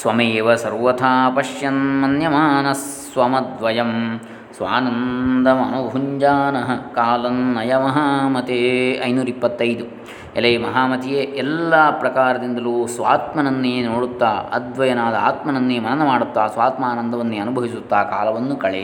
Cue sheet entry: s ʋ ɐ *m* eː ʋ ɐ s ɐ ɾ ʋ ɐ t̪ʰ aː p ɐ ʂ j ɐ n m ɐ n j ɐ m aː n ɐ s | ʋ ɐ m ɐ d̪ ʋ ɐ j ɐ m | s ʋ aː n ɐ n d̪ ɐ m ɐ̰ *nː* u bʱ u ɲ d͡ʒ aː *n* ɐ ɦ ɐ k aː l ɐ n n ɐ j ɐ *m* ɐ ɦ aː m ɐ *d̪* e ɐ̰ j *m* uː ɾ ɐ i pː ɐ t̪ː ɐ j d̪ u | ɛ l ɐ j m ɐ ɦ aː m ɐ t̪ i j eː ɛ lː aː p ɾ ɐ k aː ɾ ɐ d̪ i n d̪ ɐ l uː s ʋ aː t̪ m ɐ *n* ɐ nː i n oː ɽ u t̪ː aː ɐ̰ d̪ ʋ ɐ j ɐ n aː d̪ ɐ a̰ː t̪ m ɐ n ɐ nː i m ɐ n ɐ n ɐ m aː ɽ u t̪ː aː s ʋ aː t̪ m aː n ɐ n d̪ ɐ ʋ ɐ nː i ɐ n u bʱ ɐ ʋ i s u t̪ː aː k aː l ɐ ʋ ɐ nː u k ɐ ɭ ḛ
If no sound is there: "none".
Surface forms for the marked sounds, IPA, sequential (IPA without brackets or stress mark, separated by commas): m, n, n, m, t̪, n, n